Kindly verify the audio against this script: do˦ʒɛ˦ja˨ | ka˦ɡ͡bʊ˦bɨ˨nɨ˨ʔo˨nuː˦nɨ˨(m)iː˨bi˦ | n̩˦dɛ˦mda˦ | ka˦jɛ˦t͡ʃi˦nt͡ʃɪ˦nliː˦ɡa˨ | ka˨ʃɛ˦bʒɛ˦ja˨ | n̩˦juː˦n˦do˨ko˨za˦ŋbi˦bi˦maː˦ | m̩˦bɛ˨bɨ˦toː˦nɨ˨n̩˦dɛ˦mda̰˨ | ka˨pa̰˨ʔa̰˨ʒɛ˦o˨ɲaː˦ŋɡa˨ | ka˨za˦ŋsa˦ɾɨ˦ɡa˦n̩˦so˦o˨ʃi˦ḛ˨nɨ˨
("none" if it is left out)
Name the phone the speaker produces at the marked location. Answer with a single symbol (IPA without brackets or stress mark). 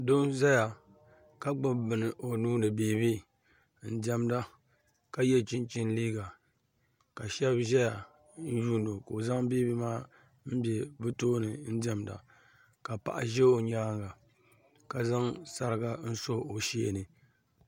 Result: b